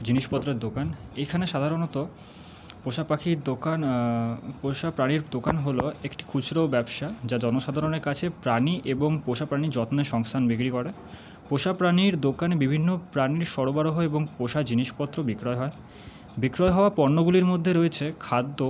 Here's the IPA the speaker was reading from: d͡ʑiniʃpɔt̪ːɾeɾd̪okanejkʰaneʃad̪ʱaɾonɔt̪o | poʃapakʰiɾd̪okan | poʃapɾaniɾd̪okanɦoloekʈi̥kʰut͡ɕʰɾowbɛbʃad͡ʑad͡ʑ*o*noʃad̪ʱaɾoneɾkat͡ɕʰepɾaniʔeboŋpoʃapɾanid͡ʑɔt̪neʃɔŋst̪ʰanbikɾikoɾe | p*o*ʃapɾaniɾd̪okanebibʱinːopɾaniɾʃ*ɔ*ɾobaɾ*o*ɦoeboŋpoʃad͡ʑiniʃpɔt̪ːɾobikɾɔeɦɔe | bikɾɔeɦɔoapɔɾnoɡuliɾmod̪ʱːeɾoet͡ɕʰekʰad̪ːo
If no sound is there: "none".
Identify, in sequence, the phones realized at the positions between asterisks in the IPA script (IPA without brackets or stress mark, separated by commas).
ɔ, o, ɔ, o